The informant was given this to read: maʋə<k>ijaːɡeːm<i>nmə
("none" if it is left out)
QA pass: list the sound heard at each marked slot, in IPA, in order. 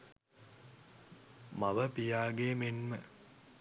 p, e

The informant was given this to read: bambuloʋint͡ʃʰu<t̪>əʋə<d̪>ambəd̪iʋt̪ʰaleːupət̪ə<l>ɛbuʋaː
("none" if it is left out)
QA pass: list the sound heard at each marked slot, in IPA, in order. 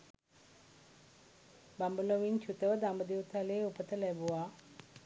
t̪, d̪, l

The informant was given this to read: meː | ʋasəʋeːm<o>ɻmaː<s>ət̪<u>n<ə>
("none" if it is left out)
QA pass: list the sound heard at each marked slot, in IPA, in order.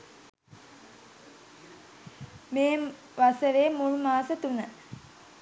u, s, u, ə

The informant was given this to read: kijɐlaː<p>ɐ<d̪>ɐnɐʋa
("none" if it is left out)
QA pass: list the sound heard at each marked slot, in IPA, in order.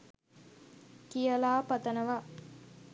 p, t̪

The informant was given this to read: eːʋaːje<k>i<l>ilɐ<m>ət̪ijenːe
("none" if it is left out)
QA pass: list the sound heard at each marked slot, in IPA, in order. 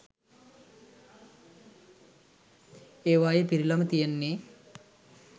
p, ɾ, m

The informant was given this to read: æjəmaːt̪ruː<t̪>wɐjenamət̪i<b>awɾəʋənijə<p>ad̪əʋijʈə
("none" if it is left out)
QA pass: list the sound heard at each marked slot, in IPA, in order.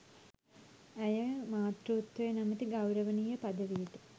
t̪, ɡ, p

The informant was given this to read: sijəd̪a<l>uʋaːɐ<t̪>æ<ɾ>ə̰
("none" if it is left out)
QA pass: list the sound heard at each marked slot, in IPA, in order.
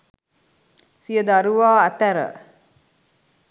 ɾ, t̪, ɾ

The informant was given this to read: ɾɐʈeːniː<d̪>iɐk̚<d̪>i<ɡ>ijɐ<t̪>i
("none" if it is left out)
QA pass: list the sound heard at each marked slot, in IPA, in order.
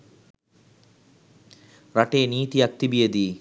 t̪, t̪, b, d̪

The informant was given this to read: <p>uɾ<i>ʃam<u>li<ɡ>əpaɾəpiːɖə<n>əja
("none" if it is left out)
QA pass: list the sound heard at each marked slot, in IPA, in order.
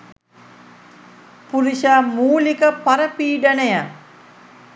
p, i, uː, k, n

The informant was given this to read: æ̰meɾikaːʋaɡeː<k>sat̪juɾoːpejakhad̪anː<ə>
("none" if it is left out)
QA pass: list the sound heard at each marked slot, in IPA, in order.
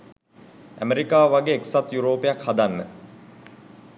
k, ə

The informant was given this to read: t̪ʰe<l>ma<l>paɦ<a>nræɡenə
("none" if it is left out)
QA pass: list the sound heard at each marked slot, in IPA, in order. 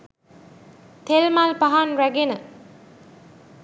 l, l, a

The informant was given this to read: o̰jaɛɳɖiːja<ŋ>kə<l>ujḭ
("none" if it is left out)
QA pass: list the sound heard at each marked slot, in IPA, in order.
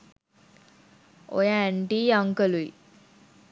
ŋ, l

